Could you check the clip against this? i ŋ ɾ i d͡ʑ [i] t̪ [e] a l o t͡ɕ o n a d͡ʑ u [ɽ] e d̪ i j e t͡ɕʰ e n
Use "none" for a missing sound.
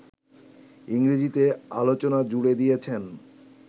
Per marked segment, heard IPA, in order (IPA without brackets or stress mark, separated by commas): i, e, ɽ